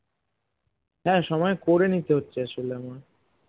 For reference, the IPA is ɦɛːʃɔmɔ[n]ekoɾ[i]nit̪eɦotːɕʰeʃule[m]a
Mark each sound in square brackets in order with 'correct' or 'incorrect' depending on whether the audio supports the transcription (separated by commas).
incorrect, incorrect, correct